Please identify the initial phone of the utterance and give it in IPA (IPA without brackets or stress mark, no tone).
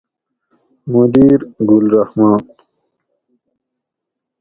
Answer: m